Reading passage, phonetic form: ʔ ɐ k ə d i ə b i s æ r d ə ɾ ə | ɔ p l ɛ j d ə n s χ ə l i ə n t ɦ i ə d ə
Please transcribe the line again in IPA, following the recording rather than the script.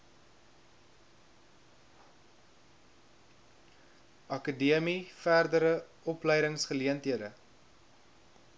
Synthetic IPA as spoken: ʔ ɐ k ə d i ə m i f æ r d ə ɾ ə | ɔ p l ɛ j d ə ŋ s χ ə l i ə n t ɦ i ə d ə

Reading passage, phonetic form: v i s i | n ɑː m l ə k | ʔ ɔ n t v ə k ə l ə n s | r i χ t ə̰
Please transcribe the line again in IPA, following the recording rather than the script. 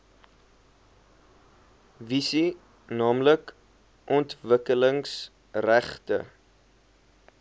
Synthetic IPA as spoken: v i s i | n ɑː m l ə k | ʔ ɔ n t v ə k ə l ə ŋ s | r æ χ t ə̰

